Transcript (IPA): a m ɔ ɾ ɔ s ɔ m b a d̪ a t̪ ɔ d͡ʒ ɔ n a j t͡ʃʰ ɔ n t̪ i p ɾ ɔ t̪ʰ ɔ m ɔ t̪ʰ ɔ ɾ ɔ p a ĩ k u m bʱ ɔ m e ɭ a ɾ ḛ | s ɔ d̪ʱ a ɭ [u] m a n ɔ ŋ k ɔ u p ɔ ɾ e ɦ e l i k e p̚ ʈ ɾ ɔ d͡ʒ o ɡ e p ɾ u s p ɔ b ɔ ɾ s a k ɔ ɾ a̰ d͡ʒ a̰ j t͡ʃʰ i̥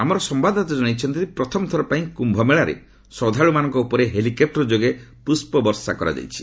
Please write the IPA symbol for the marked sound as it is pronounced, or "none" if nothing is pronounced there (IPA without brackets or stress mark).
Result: u